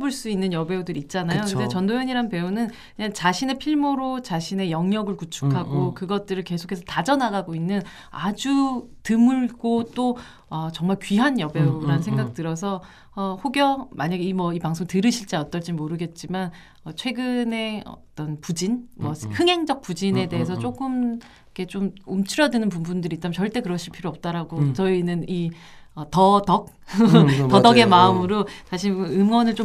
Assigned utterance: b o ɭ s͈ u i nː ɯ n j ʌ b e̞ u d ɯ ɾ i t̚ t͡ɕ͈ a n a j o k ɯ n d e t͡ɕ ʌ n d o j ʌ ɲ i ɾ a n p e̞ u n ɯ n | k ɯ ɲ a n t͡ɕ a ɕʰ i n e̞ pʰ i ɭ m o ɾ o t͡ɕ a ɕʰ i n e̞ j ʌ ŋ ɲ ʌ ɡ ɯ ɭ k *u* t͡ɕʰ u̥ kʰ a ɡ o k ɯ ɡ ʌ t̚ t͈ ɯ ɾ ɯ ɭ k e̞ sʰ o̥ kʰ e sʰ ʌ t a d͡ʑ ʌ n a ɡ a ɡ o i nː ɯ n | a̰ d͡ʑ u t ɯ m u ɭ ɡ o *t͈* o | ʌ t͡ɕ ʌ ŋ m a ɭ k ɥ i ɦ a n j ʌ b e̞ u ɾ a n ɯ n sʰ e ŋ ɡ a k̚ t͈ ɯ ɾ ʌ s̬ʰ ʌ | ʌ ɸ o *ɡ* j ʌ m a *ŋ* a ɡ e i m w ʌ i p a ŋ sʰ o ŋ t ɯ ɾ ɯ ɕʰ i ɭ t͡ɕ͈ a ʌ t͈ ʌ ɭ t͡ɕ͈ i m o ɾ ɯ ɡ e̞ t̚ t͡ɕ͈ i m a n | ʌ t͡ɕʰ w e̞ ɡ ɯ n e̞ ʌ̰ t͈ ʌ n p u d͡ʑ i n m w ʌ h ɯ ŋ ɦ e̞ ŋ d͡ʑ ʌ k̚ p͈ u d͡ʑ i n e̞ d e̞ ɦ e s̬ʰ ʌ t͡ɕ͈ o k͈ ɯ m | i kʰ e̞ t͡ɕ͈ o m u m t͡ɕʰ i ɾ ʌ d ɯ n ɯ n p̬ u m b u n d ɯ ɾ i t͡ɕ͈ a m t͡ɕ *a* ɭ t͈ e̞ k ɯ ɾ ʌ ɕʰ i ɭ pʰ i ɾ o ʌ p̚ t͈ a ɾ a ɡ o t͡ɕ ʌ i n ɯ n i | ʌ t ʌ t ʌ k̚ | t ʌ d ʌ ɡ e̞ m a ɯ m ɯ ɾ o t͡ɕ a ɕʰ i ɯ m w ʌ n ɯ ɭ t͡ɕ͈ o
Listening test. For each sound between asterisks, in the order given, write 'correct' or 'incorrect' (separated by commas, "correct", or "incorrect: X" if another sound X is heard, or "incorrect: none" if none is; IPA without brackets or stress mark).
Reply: correct, correct, correct, incorrect: ɲ, incorrect: ʌ